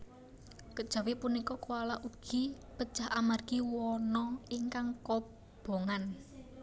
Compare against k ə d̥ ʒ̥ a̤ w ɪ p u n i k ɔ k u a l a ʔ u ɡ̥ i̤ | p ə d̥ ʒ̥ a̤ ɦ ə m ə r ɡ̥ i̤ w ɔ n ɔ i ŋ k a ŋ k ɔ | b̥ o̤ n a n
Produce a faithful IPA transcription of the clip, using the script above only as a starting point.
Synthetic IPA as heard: k ə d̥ ʒ̥ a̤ w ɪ p u n i k ɔ k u a l a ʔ u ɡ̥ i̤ | p ə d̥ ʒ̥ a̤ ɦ a m a r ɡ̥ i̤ w ɔ n ɔ i ŋ k a ŋ k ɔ | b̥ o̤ ŋ a n